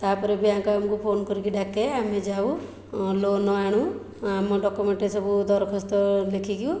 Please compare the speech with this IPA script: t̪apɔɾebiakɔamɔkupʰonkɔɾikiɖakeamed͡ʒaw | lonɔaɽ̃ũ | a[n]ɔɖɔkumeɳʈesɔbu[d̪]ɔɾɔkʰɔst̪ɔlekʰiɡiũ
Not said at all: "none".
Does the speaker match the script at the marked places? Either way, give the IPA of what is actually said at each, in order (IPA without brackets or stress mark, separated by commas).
m, d̪